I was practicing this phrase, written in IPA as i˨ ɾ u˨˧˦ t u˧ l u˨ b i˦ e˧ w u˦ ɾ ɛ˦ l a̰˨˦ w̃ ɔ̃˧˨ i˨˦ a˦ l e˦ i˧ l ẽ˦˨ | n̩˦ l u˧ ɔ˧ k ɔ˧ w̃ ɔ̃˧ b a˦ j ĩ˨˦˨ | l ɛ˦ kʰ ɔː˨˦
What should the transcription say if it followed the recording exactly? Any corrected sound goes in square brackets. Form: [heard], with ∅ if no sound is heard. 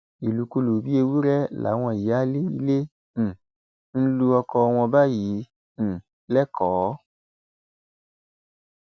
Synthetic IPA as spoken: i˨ [l] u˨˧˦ [k] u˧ l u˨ b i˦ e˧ w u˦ ɾ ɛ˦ l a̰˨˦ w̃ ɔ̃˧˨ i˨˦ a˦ l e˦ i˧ l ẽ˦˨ | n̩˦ l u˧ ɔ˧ k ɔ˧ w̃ ɔ̃˧ b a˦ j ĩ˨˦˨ | l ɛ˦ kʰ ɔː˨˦